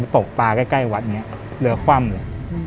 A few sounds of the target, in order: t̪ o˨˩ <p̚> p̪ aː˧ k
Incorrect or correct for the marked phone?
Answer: incorrect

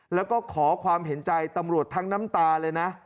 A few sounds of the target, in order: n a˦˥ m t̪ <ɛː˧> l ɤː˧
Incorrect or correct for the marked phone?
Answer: incorrect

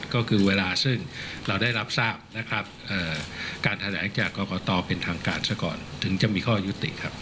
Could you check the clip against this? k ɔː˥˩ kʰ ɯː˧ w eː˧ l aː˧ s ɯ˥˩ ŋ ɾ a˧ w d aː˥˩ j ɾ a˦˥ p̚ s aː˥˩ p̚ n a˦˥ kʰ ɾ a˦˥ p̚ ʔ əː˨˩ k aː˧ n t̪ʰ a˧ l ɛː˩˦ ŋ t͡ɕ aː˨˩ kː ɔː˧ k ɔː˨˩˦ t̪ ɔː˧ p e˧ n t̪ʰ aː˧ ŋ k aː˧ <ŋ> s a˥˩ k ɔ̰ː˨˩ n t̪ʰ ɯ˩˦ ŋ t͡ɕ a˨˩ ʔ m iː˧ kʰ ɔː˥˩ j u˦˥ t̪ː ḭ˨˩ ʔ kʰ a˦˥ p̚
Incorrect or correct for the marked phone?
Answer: incorrect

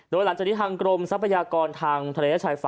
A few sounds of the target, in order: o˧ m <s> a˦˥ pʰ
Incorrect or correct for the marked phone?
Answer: correct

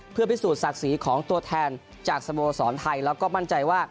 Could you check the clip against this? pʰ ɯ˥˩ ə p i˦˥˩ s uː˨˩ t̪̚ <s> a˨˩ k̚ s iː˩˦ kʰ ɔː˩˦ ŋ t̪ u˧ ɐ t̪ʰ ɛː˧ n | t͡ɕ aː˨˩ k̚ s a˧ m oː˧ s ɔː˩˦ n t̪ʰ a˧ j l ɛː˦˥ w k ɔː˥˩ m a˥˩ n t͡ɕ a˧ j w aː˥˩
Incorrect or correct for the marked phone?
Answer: correct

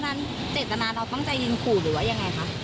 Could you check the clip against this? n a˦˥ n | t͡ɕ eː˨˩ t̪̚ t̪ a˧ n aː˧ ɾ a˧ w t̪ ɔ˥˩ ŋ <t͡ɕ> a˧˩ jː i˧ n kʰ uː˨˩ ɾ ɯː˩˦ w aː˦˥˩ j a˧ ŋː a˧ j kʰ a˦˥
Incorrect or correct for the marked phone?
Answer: correct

